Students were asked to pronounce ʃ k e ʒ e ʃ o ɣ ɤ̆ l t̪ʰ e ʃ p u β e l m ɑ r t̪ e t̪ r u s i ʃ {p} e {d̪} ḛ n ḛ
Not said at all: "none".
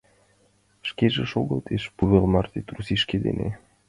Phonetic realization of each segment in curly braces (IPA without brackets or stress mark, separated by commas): k, d̪